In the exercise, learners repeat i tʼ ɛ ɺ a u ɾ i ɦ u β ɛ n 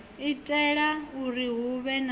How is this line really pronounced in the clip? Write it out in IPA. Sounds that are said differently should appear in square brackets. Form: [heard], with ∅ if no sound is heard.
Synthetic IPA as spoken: i tʼ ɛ ɺ a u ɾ i ɦ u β ɛ n